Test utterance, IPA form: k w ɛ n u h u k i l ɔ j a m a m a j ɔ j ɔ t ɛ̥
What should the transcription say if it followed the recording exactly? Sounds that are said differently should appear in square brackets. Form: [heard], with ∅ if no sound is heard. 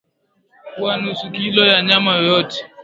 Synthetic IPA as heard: k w [a] n u [s] u k i l ɔ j a [ɲ] a m a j ɔ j ɔ t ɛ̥